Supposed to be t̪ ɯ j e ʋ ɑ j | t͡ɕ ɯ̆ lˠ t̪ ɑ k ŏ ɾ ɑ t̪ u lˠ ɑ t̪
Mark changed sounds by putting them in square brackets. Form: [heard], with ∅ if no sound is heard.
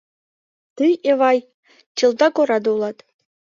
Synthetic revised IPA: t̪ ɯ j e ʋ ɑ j | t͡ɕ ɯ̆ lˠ [d̪] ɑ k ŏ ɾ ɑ [d̪] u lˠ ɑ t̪

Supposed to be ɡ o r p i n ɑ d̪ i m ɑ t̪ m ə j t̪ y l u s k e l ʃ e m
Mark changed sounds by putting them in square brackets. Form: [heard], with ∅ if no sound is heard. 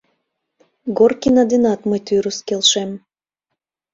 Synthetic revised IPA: ɡ o r [k] i n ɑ d̪ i [n] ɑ t̪ m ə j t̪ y [ɾ] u s k e l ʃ e m

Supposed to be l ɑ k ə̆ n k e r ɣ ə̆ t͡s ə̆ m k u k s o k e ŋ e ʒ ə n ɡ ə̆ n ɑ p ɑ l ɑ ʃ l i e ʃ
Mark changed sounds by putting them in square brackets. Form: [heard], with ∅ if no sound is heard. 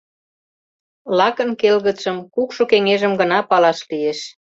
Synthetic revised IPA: l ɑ k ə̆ n k e [l] ɣ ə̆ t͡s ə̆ m k u k [ʃ] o k e ŋ e ʒ ə [m] ɡ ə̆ n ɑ p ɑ l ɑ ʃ l i e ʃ

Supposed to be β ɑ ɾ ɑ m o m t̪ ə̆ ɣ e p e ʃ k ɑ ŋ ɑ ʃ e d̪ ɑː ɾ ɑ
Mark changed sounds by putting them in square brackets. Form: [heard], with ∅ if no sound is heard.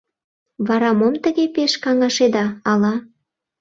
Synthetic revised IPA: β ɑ ɾ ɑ m o m t̪ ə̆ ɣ e p e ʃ k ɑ ŋ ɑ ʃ e d̪ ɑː [l] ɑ

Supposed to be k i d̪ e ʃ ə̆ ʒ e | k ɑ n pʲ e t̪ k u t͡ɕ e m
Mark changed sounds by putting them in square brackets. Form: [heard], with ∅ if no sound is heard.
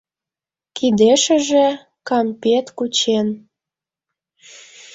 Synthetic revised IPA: k i d̪ e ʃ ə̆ ʒ e | k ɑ [m] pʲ e t̪ k u t͡ɕ e [n]

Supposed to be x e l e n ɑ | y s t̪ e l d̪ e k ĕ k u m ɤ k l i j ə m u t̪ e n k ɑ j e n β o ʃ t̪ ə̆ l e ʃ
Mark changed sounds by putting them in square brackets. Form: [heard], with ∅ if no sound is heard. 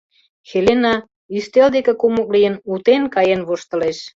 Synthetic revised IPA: x e l e n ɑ | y s t̪ e l d̪ e k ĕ k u m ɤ k l i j ə [n] u t̪ e n k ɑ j e n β o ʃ t̪ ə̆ l e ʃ

